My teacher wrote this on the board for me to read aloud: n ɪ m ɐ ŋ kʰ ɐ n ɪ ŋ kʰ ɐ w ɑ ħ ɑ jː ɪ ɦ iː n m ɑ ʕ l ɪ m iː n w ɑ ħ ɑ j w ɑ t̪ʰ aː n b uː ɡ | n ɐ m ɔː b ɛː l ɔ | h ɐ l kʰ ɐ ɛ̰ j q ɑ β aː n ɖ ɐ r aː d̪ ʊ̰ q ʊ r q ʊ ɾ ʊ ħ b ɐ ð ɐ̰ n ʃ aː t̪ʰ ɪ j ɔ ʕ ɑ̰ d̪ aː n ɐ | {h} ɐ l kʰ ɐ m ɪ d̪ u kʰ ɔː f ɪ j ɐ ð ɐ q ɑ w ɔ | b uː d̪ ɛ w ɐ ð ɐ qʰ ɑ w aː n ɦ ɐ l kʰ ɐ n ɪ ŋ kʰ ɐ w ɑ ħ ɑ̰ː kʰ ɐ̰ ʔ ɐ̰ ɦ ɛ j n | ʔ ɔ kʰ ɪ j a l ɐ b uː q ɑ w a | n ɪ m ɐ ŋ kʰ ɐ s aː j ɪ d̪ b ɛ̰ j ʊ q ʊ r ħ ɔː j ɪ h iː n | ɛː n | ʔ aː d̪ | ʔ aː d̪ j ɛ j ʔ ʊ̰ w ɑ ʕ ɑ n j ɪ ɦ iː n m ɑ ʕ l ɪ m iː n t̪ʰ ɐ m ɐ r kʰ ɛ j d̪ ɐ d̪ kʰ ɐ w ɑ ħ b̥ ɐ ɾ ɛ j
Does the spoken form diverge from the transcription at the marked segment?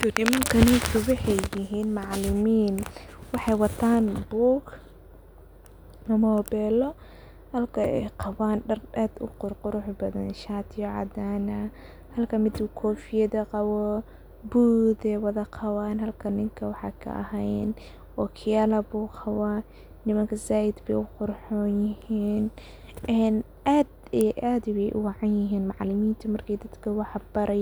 no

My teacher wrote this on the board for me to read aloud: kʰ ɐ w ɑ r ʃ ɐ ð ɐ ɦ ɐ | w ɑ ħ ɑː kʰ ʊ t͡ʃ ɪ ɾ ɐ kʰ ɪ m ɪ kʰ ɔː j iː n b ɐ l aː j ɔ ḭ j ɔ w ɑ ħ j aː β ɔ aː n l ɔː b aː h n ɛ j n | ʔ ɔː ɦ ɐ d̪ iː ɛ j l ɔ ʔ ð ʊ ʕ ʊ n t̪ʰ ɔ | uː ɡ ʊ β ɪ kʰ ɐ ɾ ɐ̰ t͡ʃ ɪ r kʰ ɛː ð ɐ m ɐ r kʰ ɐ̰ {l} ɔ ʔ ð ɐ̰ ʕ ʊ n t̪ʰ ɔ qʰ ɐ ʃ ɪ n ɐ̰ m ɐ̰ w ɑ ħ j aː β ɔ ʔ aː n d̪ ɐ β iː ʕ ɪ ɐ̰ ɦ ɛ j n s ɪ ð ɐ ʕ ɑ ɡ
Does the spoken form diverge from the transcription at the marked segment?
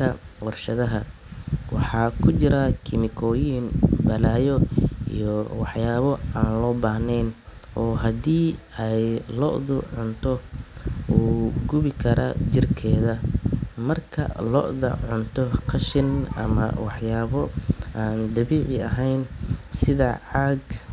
no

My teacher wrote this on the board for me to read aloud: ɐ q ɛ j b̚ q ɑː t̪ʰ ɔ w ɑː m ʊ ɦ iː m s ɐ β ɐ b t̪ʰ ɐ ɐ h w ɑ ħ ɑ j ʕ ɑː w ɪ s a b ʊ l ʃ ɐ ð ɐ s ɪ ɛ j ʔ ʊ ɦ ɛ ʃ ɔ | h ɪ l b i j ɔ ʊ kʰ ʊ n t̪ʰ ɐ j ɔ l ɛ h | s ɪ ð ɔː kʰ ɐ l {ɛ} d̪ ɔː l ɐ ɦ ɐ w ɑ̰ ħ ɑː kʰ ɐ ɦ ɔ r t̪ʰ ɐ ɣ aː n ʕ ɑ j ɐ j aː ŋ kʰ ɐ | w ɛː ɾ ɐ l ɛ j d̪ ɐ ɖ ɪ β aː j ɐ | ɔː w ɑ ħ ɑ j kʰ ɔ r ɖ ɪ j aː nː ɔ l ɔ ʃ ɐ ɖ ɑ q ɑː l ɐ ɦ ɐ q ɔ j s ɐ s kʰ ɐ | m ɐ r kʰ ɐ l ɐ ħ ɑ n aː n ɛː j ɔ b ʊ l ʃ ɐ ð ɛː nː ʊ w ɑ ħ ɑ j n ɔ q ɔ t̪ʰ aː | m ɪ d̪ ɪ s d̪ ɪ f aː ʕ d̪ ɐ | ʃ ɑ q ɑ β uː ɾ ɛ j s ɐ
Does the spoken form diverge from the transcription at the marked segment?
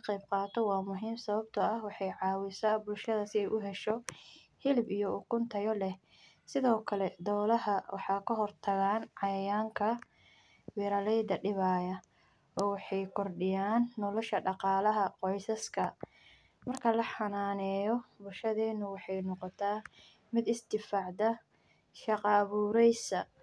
no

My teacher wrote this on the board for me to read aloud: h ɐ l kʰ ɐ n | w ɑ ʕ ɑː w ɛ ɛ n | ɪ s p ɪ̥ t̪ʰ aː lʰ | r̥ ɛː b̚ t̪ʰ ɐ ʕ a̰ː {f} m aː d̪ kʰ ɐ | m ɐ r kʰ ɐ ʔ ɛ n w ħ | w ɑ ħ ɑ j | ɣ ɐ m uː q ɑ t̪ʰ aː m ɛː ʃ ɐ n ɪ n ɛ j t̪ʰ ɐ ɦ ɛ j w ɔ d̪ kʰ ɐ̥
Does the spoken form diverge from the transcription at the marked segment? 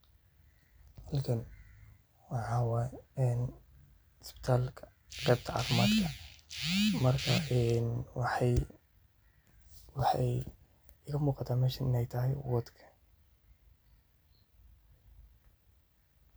no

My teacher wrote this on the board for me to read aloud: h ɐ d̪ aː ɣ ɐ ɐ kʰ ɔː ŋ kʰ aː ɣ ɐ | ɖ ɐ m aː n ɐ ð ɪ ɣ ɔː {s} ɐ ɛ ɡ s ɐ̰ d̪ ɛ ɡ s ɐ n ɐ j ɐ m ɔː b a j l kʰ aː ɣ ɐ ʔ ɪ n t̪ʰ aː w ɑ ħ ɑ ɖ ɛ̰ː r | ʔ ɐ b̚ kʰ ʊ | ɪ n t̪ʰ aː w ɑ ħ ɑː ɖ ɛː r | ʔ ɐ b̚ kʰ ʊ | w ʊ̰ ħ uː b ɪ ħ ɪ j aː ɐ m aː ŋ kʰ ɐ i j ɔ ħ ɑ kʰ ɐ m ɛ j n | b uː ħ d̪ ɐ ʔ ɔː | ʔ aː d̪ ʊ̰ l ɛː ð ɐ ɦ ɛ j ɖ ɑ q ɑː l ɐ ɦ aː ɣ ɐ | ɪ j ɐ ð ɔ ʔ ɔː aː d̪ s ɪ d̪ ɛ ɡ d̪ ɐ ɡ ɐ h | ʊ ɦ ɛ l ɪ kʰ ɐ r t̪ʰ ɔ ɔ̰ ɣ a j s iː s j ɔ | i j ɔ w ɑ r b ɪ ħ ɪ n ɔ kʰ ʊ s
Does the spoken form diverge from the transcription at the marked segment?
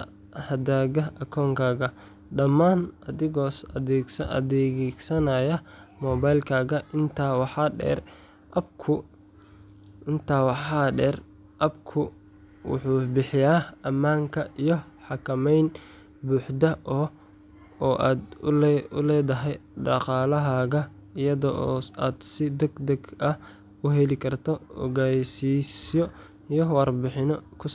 no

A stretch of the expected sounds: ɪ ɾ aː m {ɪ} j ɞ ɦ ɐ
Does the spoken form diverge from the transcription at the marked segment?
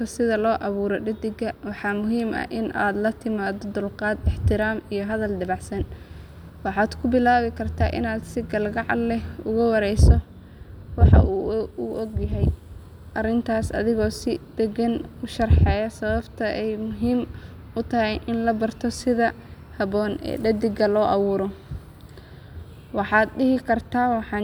yes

